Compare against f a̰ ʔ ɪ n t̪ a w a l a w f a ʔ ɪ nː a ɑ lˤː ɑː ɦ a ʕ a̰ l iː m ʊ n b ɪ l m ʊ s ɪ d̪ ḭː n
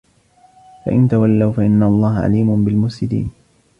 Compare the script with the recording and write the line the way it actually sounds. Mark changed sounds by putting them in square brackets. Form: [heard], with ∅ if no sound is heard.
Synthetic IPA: f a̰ ʔ ɪ n t̪ a w a [lː] a w f a ʔ ɪ nː a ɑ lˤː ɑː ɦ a ʕ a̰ l iː m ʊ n b ɪ l m ʊ s ɪ d̪ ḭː n

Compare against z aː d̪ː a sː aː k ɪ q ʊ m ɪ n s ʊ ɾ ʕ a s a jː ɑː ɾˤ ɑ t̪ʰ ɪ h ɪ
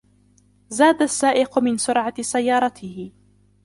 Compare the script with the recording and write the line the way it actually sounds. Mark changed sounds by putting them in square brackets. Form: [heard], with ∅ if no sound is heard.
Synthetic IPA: z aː [d̪] a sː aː [ʔ] ɪ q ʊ m ɪ n s ʊ ɾ ʕ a s a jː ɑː ɾˤ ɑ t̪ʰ ɪ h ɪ

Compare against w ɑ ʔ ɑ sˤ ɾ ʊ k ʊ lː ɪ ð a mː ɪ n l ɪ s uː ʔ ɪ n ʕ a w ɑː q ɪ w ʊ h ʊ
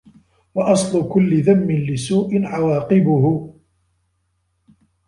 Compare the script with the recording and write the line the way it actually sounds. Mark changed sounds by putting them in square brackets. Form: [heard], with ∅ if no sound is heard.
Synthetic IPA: w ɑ ʔ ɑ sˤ [l] ʊ k ʊ lː ɪ ð a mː ɪ n l ɪ s uː ʔ ɪ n ʕ a w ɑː q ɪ [b] ʊ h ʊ

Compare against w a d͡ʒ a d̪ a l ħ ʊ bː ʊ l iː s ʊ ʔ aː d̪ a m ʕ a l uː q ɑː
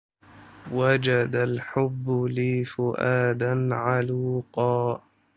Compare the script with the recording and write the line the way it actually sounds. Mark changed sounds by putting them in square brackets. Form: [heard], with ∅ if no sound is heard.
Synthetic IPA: w a d͡ʒ a d̪ a l ħ ʊ bː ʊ l iː [f] ʊ ʔ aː d̪ a [n] ʕ a l uː q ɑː

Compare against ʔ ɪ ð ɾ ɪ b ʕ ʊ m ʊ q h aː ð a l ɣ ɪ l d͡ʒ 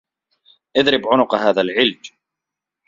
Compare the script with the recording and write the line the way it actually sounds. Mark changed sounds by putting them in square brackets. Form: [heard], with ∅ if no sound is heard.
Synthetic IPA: ʔ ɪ ð ɾ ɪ b ʕ ʊ [n] ʊ q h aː ð a l [ʕ] ɪ l d͡ʒ

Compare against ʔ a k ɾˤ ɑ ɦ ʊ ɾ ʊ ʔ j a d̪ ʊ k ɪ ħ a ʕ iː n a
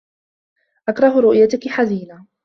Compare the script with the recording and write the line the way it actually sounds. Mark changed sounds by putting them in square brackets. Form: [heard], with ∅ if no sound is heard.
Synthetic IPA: ʔ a k ɾˤ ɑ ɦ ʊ ɾ ʊ ʔ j a [t̪] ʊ k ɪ ħ a [z] iː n a

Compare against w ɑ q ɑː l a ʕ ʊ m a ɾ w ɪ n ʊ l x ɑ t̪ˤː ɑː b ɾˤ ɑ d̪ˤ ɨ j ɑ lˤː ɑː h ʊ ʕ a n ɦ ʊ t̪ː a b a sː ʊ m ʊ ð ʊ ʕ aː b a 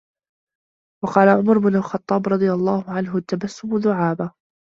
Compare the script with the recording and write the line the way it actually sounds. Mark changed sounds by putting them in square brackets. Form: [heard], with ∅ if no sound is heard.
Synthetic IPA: w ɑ q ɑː l a ʕ ʊ m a ɾ [b] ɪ n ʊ l x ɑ t̪ˤː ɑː b ɾˤ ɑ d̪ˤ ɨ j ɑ lˤː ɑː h ʊ ʕ a n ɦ ʊ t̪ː a b a sː ʊ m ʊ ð ʊ ʕ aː b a

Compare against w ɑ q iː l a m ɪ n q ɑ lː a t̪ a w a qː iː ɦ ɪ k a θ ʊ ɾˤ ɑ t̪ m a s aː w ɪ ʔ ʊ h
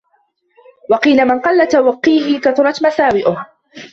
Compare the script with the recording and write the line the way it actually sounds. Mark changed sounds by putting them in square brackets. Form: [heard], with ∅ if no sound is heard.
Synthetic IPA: w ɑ q iː l a m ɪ n q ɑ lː a t̪ a w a qː iː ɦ ɪ k a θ ʊ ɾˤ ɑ t̪ m a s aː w ɪ ʔ ʊ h

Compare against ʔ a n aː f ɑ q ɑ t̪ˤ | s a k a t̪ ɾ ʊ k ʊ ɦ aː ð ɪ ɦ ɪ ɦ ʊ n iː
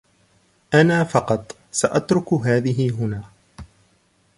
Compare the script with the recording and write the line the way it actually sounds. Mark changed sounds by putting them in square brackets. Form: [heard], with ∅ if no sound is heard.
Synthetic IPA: ʔ a n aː f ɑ q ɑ t̪ˤ | s a [ʔ] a t̪ ɾ ʊ k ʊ ɦ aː ð ɪ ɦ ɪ ɦ ʊ n [aː]

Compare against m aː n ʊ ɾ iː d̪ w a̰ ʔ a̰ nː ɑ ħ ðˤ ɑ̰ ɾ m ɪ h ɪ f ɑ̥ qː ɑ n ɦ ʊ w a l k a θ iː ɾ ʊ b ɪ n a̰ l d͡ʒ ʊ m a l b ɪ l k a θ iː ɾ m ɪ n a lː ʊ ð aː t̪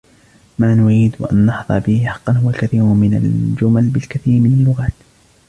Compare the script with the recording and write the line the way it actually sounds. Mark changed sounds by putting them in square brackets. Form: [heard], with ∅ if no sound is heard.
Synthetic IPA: m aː n ʊ ɾ iː d̪ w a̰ ʔ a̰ nː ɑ ħ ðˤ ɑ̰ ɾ [b] ɪ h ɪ [ħ] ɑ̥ qː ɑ n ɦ ʊ w a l k a θ iː ɾ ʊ [m] ɪ n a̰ l d͡ʒ ʊ m a l b ɪ l k a θ iː ɾ m ɪ n a lː ʊ [ɣ] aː t̪

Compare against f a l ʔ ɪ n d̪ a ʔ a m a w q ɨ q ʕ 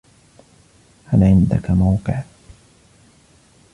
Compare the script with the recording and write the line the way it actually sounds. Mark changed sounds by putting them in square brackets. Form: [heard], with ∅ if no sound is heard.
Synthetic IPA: [h] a l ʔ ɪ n d̪ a [k] a m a w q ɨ [∅] ʕ

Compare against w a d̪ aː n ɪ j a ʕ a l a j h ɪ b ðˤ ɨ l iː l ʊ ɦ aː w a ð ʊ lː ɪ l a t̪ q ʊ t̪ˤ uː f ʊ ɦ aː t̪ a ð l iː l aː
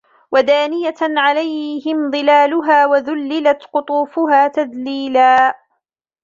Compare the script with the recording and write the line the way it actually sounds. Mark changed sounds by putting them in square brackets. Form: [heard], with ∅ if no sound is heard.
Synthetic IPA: w a d̪ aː n ɪ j a ʕ a l a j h ɪ [m] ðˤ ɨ l [aː] l ʊ ɦ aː w a ð ʊ lː ɪ l a t̪ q ʊ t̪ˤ uː f ʊ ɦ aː t̪ a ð l iː l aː

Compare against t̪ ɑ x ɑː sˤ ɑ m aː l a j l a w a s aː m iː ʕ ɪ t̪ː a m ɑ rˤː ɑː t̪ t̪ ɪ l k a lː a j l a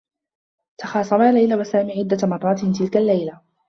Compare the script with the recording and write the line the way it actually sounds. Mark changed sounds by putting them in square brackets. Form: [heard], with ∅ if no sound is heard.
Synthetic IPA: t̪ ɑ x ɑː sˤ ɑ m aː l a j l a w a s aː m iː ʕ ɪ [d̪ː] a m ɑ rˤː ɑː t̪ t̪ ɪ l k a lː a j l a

